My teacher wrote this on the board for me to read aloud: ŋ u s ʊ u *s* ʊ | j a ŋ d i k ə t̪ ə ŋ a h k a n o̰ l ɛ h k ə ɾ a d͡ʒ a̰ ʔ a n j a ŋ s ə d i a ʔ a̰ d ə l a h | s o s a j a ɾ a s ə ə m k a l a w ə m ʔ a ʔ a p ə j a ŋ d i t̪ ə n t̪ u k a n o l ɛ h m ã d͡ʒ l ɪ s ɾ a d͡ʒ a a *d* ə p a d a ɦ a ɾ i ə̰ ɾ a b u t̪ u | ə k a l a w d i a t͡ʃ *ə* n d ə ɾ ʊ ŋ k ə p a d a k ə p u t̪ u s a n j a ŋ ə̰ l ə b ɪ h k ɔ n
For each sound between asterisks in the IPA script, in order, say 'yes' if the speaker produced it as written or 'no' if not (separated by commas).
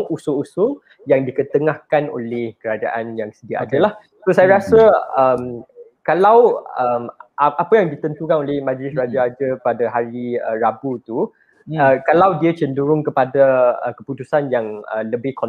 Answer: yes, no, yes